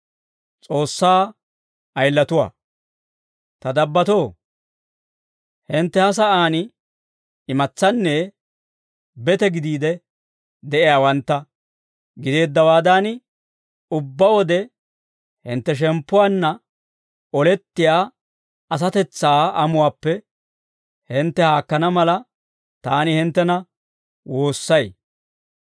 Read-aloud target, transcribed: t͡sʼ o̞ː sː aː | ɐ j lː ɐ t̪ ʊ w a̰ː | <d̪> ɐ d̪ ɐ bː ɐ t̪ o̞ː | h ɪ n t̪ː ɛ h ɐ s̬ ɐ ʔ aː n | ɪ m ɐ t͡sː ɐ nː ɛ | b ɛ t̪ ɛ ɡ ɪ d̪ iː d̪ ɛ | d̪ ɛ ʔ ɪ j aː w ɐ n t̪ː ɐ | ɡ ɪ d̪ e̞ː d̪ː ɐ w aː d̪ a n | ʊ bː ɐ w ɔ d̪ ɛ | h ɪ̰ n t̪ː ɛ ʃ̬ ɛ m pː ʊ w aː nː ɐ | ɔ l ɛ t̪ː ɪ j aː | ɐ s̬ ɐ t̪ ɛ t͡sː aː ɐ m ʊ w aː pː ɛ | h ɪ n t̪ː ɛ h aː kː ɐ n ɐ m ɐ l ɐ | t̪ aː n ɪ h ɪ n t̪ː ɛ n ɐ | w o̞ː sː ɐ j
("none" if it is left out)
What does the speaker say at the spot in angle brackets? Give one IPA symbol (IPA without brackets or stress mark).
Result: t̪